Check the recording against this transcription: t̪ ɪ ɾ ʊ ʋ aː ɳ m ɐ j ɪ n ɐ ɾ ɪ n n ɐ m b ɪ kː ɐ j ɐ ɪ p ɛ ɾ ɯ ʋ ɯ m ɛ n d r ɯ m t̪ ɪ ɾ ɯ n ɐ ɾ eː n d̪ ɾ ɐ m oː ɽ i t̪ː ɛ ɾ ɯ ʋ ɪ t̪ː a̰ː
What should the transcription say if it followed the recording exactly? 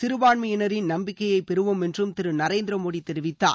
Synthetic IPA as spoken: t̪ ɪ ɾ ɯ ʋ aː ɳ m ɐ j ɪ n ɐ ɾ ɪ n n ɐ m b ɪ kː ɐ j ɐ ɪ p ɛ ɾ ɯ ʋ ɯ m ɛ n d r ɯ m t̪ ɪ ɾ ɯ n ɐ ɾ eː n d̪ ɾ ɐ m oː ɽ i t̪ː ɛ ɾ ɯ ʋ ɪ t̪ː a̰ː